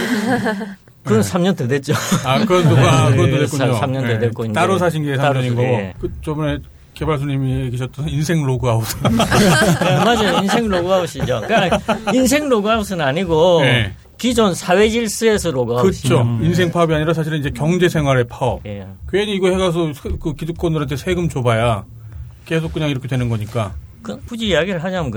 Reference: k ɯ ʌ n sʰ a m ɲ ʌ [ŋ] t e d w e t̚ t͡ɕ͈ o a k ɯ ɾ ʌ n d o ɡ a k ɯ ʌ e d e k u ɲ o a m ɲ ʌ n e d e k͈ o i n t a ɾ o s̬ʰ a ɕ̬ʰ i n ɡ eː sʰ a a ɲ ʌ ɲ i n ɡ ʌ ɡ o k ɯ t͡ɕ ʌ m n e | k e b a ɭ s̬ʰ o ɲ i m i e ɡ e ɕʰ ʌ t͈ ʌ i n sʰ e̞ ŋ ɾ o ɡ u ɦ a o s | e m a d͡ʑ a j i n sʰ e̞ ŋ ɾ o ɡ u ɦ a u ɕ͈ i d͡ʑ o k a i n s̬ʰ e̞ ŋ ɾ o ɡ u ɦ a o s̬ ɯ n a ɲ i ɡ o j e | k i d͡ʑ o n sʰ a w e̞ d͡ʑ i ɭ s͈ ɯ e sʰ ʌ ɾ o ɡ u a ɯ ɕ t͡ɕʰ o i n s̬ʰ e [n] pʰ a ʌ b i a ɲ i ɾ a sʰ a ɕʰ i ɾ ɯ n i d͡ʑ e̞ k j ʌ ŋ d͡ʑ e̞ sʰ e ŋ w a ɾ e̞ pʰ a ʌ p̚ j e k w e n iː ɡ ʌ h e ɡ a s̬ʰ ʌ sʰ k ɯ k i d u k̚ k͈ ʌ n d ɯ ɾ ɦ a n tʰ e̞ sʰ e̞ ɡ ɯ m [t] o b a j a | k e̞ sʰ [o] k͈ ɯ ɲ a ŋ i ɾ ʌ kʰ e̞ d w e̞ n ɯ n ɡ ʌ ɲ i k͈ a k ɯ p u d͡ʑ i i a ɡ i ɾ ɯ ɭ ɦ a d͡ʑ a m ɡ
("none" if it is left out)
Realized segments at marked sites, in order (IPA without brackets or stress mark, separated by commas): n, ŋ, t͡ɕ, o